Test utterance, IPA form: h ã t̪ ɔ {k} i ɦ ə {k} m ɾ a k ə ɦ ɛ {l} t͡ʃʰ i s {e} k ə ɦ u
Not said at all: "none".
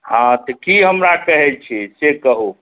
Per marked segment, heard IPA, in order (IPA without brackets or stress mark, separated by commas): k, none, l, e